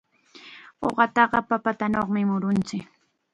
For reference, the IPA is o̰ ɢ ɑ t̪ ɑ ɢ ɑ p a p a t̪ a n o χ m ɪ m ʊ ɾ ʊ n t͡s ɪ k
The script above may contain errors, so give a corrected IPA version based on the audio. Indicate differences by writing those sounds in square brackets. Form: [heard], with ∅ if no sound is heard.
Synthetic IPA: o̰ ɢ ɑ t̪ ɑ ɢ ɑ p a p a t̪ a n o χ m ɪ m ʊ ɾ ʊ n t͡s ɪ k